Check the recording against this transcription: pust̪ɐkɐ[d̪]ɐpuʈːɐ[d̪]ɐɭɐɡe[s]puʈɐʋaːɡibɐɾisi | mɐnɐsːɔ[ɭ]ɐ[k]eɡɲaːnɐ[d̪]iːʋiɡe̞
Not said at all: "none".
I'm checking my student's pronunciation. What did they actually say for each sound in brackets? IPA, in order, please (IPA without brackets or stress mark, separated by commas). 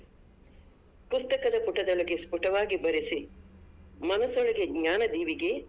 d̪, d̪, s, ɭ, ɡ, d̪